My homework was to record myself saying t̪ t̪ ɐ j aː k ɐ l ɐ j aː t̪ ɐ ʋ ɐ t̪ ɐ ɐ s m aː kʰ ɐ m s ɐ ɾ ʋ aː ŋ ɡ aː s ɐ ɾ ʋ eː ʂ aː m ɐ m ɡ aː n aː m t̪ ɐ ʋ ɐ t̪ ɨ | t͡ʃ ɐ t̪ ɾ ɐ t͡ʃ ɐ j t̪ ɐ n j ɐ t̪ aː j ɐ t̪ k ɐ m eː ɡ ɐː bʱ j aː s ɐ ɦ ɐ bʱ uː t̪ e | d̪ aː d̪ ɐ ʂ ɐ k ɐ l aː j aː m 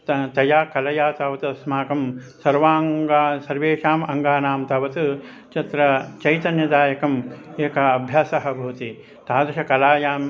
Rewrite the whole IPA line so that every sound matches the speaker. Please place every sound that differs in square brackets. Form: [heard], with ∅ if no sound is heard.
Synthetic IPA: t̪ t̪ ɐ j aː k ɐ l ɐ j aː t̪ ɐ ʋ ɐ t̪ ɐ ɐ s m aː [k] ɐ m s ɐ ɾ ʋ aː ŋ ɡ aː s ɐ ɾ ʋ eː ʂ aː m ɐ [ŋ] ɡ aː n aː m t̪ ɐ ʋ ɐ t̪ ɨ | t͡ʃ ɐ t̪ ɾ ɐ t͡ʃ ɐ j t̪ ɐ n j ɐ [d̪] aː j ɐ [∅] k ɐ m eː [k] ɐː bʱ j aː s ɐ ɦ ɐ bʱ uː t̪ [i] | [t̪] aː d̪ ɐ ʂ ɐ k ɐ l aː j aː m